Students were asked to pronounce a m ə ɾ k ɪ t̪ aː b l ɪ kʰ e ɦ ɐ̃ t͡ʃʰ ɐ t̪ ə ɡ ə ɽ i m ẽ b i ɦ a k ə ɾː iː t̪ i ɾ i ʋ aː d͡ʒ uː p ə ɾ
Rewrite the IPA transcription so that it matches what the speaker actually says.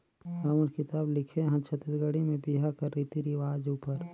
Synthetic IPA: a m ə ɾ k ɪ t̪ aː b l ɪ kʰ e ɦ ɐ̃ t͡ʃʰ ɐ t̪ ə ɡ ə ɽ i m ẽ b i ɦ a k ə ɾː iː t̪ i ɾ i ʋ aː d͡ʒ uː p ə ɾ